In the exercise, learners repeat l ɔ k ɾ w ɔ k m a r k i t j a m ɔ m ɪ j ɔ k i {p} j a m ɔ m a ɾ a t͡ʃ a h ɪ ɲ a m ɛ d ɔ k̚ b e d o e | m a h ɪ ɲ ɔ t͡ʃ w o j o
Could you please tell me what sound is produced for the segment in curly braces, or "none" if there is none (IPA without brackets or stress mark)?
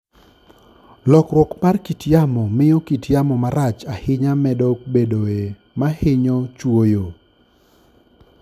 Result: t